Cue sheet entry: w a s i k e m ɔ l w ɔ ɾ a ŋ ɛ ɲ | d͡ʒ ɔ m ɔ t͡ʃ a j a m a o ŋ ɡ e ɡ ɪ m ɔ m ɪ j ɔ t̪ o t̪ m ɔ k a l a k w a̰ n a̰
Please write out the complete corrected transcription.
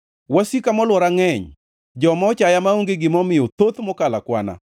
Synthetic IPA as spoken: w a s i k a m ɔ l w ɔ ɾ a ŋ ɛ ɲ | d͡ʒ ɔ m ɔ t͡ʃ a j a m a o ŋ ɡ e ɡ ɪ m ɔ m ɪ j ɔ t̪ o t̪ m ɔ k a l a k w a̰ n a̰